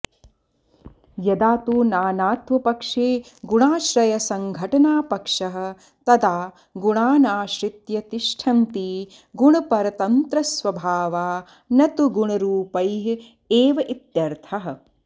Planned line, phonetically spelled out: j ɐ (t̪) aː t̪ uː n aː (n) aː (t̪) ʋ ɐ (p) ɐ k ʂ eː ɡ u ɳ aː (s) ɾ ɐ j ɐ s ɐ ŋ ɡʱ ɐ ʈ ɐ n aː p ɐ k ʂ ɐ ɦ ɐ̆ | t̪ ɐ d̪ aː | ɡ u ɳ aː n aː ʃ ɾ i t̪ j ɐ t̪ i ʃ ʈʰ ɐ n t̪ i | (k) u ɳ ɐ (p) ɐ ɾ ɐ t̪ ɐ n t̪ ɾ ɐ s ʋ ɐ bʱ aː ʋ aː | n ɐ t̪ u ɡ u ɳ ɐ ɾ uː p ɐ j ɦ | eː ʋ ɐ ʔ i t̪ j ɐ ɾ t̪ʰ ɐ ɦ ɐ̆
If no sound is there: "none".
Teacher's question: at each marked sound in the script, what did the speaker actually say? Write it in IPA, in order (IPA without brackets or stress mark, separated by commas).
d̪, n, t̪, p, ʃ, ɡ, p